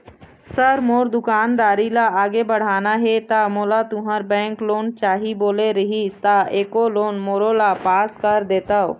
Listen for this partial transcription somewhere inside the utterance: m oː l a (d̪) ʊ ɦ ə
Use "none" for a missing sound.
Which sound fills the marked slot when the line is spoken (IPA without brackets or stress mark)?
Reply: t̪